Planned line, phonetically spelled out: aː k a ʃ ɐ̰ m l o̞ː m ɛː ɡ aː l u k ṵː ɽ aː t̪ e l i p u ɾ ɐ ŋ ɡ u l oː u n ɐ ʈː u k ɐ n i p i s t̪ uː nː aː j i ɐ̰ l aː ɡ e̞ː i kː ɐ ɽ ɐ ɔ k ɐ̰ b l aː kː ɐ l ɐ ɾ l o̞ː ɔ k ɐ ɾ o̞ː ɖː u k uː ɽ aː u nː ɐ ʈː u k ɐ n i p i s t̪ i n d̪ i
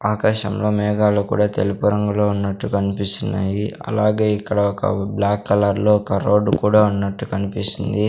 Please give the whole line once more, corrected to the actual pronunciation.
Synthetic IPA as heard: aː k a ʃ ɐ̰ m l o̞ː m ɛː ɡ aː l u k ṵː ɽ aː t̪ e l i p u ɾ ɐ ŋ ɡ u l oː u nː ɐ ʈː u k ɐ n i p i s t̪ u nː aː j i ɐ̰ l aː ɡ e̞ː i kː ɐ ɽ ɐ ɔ k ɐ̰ b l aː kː ɐ l ɐ ɾ l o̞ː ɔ k ɐ ɾ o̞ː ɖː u k uː ɽ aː u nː ɐ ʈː u k ɐ n i p i s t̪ i n d̪ i

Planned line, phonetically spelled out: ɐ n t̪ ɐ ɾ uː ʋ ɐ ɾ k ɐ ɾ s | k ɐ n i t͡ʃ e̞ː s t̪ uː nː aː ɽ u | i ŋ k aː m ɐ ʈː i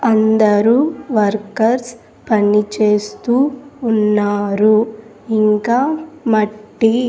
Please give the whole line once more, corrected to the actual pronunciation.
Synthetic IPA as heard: ɐ n d̪ ɐ ɾ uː ʋ ɐ ɾ k ɐ ɾ s | p ɐ n i t͡ʃ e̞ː s t̪ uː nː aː ɾ u | i ŋ k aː m ɐ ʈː i

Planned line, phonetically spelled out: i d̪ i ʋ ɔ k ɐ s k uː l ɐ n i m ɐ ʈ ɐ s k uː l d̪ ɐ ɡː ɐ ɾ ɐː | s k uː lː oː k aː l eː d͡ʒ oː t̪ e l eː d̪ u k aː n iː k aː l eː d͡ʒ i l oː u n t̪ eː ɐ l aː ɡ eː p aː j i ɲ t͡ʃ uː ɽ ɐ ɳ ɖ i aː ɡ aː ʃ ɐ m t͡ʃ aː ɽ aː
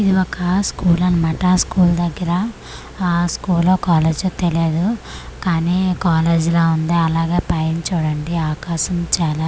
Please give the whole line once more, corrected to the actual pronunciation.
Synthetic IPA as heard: i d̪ i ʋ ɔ k ɐ s k uː l ɐ n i m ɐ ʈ ɐ s k uː l d̪ ɐ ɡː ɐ ɾ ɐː | s k uː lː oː k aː l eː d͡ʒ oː t̪ e l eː d̪ u k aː n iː k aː l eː d͡ʒ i l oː u n d̪ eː ɐ l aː ɡ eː p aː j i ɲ t͡ʃ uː ɽ ɐ ɳ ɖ i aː k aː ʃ ɐ m t͡ʃ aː l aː

